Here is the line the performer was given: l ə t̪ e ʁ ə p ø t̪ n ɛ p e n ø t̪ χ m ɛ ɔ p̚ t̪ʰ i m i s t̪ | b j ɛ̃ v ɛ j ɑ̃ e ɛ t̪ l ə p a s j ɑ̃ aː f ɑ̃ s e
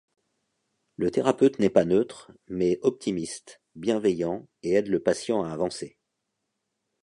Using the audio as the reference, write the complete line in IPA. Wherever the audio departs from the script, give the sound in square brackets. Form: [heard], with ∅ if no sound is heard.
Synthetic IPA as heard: l ə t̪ e ʁ [a] p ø t̪ n ɛ p [a] n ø t̪ χ m ɛ ɔ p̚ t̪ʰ i m i s t̪ | b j ɛ̃ v ɛ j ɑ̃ e ɛ [d̪] l ə p a s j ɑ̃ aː [v] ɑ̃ s e